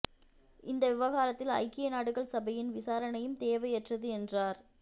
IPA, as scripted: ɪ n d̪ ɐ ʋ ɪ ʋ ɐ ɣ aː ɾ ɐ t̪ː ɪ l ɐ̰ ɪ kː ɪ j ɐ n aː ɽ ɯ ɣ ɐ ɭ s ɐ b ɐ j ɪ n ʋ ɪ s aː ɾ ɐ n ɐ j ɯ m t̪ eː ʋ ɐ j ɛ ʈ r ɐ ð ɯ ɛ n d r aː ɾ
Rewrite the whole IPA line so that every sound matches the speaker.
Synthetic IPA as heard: ɪ n d̪ ɐ ʋ ɪ ʋ ɐ ɣ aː ɾ ɐ t̪ː ɪ l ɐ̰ ɪ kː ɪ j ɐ n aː ɽ ɯ ɣ ɐ ɭ s ɐ b ɐ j ɪ n ʋ ɪ s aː ɾ ɐ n ɐ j ɯ m t̪ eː ʋ ɐ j ɛ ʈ r ɐ ð ɯ ɛ n d r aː ɾ